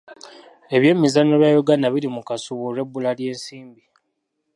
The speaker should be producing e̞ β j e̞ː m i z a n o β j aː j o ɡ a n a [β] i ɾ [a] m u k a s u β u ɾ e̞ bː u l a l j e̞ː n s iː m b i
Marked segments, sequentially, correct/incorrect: correct, incorrect

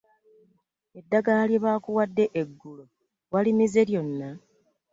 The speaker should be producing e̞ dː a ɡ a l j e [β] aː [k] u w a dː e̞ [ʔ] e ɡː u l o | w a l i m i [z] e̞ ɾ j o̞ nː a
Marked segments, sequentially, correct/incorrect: correct, correct, correct, correct

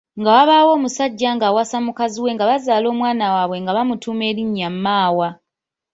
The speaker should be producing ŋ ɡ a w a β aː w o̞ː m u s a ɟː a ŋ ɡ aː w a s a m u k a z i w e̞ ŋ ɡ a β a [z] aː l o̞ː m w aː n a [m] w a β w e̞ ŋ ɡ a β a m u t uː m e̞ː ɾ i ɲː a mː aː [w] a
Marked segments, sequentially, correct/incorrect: correct, incorrect, correct

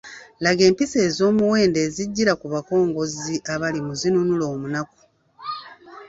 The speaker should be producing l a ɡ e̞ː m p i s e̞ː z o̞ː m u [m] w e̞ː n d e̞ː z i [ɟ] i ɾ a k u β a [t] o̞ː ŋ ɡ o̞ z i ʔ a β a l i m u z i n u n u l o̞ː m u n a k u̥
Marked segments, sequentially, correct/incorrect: incorrect, incorrect, incorrect

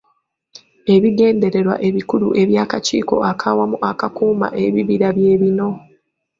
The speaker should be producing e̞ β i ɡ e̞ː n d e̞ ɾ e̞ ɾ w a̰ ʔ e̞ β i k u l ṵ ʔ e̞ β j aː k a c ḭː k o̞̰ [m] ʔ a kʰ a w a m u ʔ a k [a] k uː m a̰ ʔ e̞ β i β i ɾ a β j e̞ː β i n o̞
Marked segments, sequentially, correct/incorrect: incorrect, correct

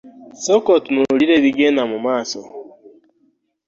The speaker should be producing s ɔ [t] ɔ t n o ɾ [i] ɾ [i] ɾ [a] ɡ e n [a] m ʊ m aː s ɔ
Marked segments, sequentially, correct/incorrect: incorrect, correct, incorrect, incorrect, correct

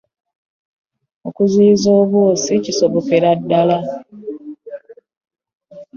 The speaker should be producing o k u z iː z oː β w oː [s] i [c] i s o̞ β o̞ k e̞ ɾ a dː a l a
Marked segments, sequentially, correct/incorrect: correct, correct

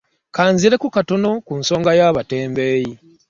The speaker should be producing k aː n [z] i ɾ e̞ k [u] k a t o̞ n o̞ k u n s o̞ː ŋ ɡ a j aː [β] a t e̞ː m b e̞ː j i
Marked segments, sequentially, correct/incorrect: correct, correct, correct

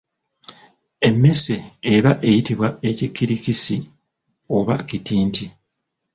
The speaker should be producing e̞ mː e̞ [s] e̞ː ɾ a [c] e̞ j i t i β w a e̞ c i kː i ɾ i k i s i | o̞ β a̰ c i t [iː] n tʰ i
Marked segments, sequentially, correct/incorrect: correct, incorrect, correct

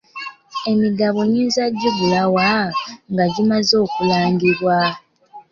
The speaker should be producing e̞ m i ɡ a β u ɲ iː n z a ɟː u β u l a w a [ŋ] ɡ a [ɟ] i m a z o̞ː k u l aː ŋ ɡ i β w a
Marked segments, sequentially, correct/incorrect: correct, correct

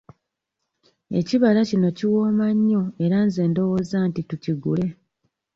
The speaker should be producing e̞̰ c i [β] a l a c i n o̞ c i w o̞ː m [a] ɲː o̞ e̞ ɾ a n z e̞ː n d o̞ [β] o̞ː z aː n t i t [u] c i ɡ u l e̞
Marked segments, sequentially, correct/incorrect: correct, correct, incorrect, correct

